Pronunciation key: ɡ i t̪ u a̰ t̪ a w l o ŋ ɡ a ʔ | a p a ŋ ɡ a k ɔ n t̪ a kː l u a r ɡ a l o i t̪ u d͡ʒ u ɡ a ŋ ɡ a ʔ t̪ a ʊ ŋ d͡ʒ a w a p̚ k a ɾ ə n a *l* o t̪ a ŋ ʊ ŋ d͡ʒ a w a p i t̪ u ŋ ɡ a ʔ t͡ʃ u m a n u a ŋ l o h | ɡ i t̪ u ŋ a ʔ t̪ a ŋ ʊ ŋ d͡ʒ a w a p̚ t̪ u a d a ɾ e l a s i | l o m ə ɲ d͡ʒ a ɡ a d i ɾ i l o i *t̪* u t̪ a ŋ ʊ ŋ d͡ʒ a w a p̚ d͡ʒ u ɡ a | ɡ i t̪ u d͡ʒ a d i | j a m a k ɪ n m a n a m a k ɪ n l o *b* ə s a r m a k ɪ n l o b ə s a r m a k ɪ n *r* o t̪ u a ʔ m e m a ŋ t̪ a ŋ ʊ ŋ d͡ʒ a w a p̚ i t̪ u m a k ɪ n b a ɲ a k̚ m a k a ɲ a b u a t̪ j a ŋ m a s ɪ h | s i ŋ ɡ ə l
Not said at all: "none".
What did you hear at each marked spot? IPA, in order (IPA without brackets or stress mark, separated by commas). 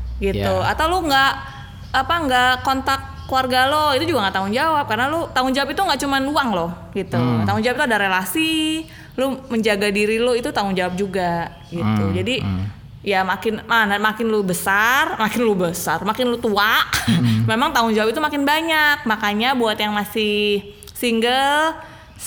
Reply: l, t̪, b, l